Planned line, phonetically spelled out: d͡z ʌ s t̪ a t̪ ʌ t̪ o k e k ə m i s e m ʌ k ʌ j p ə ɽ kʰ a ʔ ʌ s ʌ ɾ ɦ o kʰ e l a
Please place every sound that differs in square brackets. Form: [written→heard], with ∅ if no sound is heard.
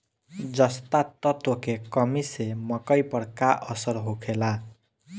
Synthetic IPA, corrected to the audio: d͡z ʌ s t̪ a t̪ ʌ t̪ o k e k [ə→ʌ] m i s e m ʌ k ʌ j p [ə→ʌ] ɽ [kʰ→k] a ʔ ʌ s ʌ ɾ ɦ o kʰ e l a